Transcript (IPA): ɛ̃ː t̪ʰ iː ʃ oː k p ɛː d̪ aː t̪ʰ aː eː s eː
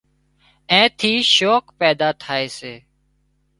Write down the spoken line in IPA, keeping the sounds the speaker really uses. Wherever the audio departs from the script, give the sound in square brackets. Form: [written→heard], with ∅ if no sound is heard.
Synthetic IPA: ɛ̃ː t̪ʰ iː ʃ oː k p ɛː d̪ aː t̪ʰ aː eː s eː